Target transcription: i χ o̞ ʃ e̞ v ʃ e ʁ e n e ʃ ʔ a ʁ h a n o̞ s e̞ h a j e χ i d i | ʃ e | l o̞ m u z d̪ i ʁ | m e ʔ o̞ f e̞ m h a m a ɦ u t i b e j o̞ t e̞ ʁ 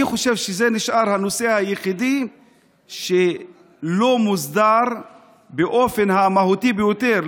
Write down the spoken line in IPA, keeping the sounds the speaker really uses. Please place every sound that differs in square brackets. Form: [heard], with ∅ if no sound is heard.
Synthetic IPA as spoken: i χ o̞ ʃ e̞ v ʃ e [z] e n [i] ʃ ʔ a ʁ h a n o̞ s e̞ h a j e χ i d i | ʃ e | l o̞ m u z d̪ [a] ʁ | [b] e ʔ o̞ f e̞ [n] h a m a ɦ u t i b e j o̞ t e̞ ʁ

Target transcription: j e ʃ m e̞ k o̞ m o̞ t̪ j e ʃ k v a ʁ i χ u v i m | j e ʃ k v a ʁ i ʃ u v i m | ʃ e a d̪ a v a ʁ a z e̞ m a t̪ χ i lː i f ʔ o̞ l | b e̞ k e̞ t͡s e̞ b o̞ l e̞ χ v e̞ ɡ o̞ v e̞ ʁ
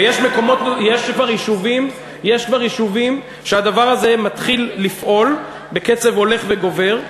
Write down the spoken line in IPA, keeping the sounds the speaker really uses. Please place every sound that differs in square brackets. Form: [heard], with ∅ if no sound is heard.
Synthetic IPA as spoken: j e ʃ m e̞ k o̞ m o̞ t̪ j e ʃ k v a ʁ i [ʃ] u v i m | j e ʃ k v a ʁ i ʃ u v i m | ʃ e a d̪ a v a ʁ a z e̞ m a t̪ χ i lː i f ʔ o̞ l | b e̞ k e̞ t͡s e̞ [v] o̞ l e̞ χ v e̞ ɡ o̞ v e̞ ʁ

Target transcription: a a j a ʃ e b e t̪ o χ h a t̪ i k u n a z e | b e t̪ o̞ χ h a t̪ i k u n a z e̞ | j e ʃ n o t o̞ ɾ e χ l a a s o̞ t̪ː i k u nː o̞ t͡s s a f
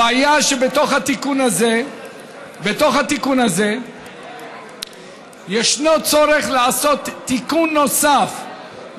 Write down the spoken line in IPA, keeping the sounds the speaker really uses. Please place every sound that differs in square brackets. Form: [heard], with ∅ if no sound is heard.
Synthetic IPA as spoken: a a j a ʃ e b e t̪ o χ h a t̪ i k u n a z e | b e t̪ o̞ χ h a t̪ i k u n a z e̞ | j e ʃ n o [t͡s] o̞ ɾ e χ l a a s o̞ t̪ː i k u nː o̞ [∅] s a f

